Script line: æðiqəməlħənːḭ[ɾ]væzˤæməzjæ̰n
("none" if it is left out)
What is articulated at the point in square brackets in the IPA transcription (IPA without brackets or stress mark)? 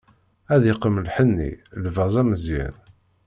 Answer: l